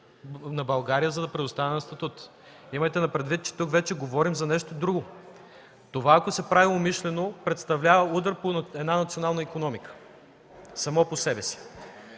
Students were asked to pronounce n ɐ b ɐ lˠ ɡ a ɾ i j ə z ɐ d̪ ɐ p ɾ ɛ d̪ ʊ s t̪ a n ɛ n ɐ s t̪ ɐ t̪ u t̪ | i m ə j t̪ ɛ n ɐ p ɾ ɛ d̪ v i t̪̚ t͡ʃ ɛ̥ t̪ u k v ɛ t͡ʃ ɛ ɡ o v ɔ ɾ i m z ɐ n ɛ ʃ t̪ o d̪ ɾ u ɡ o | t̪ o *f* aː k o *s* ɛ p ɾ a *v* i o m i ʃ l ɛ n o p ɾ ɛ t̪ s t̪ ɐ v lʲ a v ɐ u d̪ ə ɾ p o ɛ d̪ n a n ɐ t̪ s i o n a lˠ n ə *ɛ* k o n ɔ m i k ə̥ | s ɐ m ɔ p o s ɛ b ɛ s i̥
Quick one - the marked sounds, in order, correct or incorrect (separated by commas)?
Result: incorrect, correct, correct, incorrect